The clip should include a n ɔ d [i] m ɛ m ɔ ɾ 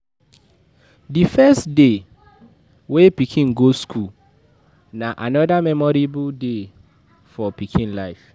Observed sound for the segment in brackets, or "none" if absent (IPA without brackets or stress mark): a